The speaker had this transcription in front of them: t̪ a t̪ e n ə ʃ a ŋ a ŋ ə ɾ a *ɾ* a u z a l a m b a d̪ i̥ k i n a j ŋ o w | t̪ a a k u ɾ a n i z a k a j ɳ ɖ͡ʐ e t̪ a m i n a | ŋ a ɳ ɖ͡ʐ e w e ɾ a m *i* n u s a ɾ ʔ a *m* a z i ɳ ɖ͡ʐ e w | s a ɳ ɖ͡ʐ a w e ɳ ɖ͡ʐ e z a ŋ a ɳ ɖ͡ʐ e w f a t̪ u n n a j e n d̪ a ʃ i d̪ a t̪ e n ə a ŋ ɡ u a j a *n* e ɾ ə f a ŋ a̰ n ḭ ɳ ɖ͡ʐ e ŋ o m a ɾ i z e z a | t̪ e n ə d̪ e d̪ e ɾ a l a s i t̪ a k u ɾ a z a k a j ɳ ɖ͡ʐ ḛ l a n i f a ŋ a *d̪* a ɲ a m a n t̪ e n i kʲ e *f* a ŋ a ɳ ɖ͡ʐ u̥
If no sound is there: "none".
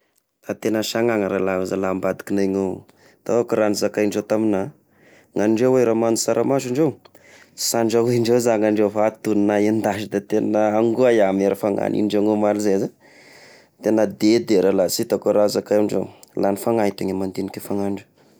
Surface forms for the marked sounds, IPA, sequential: l, a, m, m, t̪, f

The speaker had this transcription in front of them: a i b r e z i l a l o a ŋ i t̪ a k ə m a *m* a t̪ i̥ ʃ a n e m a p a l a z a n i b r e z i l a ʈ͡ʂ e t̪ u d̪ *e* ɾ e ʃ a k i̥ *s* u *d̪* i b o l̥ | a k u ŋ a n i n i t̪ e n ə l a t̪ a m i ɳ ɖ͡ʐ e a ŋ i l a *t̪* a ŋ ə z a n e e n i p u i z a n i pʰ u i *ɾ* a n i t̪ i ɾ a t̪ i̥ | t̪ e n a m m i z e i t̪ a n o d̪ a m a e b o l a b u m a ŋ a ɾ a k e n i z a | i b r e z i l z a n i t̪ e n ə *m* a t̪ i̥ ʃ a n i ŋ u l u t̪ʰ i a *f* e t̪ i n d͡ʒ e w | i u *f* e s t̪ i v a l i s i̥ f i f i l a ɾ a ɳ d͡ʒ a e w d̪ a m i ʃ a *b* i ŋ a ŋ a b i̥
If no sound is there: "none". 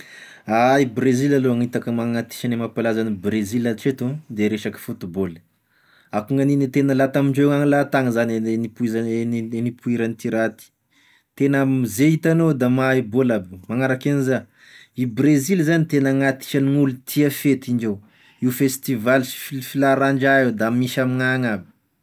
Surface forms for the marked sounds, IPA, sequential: ŋ, e, f, t̪, t̪, ɾ, ŋ, f, f, m

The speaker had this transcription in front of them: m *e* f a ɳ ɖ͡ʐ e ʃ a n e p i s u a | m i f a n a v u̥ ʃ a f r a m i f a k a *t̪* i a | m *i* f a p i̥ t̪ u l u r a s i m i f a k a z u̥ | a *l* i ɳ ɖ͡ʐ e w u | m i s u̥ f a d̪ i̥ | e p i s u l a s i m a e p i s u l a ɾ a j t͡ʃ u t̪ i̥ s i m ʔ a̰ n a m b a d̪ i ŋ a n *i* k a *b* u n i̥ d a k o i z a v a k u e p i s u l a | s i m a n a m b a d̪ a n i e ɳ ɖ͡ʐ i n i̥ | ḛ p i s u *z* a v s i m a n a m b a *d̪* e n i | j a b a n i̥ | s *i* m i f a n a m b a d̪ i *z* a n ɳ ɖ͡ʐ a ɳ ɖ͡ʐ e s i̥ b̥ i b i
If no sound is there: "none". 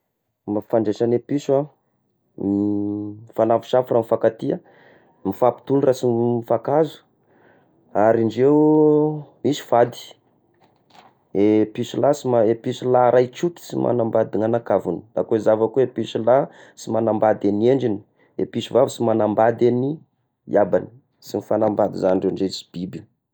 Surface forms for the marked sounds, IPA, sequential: a, t̪, i, ɾ, a, v, v, d̪, i, z

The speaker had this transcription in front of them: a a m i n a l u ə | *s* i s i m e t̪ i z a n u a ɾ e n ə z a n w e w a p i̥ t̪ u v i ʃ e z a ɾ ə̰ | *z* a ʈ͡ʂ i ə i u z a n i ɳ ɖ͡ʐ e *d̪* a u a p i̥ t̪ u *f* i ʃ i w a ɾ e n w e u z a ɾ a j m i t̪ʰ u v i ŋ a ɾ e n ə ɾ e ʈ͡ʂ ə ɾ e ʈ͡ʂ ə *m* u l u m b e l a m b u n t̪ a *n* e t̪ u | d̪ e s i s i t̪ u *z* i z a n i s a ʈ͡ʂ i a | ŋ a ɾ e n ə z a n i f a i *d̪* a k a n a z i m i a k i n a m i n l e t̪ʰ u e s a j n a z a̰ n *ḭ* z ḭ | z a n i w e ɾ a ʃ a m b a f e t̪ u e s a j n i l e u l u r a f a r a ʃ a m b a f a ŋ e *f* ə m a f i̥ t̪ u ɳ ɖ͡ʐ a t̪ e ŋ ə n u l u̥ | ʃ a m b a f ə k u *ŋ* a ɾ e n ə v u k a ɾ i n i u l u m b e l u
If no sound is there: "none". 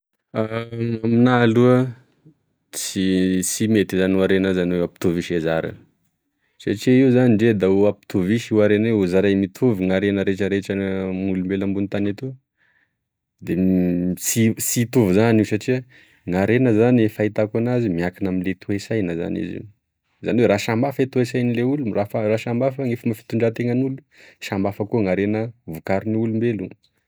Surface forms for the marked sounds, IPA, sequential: t͡s, s, d̪, v, m, n, v, t̪, ḭ, f, ŋ

